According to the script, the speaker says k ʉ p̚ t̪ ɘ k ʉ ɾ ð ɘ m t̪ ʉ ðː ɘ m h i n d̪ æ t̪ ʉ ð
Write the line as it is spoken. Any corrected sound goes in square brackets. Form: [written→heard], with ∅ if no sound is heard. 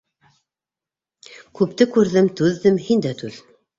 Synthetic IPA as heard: k ʉ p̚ t̪ ɘ k ʉ ɾ ð ɘ m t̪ ʉ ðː ɘ m h i n d̪ æ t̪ ʉ ð